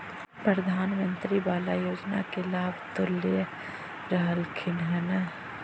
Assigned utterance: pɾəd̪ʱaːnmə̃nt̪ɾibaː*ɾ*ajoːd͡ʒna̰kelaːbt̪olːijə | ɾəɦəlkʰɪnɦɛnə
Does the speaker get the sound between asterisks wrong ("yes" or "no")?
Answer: yes